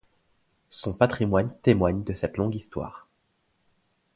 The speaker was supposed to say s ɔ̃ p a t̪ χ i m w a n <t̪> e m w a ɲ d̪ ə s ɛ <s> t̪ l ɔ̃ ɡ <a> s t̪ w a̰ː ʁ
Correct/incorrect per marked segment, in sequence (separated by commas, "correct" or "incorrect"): correct, incorrect, incorrect